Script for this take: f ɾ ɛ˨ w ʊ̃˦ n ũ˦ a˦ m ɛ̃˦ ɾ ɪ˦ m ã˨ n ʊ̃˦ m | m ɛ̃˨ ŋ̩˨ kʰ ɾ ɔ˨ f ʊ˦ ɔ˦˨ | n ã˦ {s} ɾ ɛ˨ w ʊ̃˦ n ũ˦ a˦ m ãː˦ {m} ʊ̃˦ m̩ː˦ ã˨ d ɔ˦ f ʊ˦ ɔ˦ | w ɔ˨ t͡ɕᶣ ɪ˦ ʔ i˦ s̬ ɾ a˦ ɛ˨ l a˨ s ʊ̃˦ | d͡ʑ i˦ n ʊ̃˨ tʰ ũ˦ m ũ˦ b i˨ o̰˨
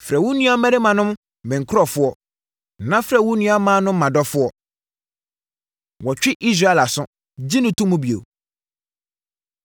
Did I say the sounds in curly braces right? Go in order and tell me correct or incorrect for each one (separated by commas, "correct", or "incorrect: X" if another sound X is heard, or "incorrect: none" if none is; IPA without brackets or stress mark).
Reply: incorrect: f, incorrect: n